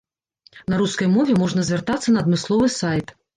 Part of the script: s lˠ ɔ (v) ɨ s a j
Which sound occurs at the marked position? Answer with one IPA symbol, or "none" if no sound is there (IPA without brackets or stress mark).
v